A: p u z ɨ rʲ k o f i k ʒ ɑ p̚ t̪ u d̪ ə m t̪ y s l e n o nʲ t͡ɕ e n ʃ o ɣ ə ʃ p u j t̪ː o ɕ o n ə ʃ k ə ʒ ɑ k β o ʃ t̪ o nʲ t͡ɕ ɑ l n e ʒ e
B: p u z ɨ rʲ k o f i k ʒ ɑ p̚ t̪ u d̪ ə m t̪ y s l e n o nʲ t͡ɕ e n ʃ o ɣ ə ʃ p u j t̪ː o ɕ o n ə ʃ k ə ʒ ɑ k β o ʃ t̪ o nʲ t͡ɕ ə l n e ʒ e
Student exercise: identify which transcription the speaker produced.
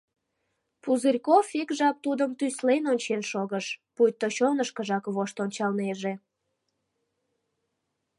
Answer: A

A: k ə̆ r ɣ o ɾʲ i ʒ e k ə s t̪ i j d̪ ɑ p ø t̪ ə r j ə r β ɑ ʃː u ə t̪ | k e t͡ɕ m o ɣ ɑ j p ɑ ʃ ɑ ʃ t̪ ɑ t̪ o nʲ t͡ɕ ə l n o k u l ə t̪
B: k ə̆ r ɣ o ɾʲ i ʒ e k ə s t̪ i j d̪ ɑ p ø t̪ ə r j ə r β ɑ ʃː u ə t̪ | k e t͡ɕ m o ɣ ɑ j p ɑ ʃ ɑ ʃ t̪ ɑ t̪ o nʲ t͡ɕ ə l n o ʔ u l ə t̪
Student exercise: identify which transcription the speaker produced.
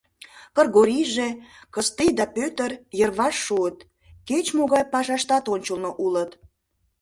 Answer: B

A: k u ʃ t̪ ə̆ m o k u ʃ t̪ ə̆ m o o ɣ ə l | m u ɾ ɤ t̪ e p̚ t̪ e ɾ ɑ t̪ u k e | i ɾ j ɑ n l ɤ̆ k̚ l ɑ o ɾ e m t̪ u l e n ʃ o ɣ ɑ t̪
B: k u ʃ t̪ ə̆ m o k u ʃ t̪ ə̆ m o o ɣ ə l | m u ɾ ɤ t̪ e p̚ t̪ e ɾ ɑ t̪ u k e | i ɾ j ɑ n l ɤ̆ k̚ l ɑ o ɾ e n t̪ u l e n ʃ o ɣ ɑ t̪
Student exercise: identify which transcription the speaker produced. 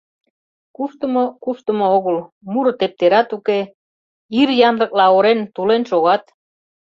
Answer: B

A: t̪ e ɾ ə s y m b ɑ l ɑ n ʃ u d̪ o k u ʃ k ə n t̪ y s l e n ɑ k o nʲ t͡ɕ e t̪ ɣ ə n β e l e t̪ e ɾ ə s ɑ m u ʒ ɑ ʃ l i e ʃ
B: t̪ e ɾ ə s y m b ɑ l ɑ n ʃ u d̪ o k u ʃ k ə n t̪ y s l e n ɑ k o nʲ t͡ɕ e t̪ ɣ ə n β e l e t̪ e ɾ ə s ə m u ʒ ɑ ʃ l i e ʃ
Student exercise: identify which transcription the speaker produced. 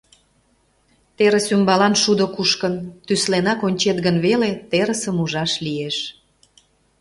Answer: B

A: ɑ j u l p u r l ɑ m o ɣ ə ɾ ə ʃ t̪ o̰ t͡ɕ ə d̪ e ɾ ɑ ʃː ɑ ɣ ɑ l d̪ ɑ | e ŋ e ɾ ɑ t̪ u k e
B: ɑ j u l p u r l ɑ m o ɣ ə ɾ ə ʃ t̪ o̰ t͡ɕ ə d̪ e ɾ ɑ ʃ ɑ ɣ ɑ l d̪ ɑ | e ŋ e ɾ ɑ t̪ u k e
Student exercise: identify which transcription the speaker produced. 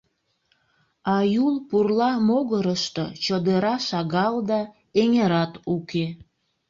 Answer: B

